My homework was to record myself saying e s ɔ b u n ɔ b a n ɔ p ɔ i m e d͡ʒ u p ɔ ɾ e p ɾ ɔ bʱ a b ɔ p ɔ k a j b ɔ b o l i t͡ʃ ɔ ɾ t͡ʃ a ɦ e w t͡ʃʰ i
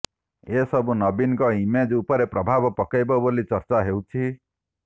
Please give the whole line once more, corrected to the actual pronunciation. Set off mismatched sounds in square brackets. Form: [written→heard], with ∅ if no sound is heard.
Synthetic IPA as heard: e s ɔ b u n ɔ b [a→i] n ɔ [p→k] ɔ i m e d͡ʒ u p ɔ ɾ e p ɾ ɔ bʱ a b ɔ p ɔ k a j b ɔ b o l i t͡ʃ ɔ ɾ t͡ʃ a ɦ e w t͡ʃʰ i